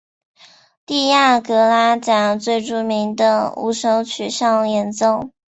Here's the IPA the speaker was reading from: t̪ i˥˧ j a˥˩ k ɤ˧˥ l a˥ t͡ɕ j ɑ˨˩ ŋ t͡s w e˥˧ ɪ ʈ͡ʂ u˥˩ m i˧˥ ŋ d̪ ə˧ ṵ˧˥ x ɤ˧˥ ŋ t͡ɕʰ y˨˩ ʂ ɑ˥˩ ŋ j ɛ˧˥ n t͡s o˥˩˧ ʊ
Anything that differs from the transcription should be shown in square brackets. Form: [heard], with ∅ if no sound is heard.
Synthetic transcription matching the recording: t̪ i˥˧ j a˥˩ k ɤ˧˥ l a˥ t͡ɕ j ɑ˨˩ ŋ t͡s w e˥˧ ɪ ʈ͡ʂ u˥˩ m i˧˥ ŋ d̪ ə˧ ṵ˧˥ [ʂ] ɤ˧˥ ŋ t͡ɕʰ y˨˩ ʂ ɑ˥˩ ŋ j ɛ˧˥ n t͡s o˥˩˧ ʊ